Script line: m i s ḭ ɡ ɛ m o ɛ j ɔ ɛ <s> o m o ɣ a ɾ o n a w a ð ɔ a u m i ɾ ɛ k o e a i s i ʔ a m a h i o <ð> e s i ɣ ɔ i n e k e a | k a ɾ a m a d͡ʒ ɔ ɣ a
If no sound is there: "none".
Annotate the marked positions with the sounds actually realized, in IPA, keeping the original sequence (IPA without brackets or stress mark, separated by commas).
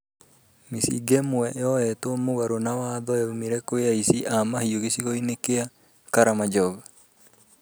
t, ɣ